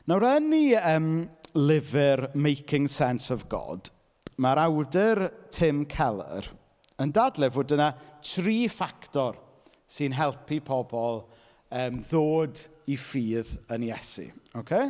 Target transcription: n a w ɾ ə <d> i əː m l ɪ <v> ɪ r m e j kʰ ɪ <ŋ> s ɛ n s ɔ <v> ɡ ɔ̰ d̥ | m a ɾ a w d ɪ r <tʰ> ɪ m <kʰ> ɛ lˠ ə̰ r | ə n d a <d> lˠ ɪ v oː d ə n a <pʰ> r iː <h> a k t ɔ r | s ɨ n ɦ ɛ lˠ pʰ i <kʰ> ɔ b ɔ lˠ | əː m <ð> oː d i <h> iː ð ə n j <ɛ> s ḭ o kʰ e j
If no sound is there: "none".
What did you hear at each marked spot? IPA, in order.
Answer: n, v, ŋ, v, tʰ, kʰ, d, tʰ, f, pʰ, ð, f, ɛ

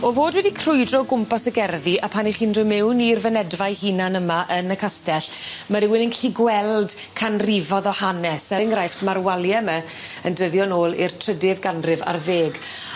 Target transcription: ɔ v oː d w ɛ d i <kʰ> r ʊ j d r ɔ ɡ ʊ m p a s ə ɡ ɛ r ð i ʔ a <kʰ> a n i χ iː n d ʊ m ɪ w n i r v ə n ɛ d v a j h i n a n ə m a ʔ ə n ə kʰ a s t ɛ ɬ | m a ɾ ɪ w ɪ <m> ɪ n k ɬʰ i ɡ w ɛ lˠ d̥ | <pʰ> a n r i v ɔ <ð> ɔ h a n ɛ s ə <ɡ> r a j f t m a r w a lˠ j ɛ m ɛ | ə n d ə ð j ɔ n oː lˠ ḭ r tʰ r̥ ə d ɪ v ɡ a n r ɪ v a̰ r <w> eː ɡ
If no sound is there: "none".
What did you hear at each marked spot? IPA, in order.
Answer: kʰ, pʰ, n, kʰ, ð, ŋ, v

